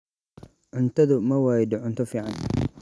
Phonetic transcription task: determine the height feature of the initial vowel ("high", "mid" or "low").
high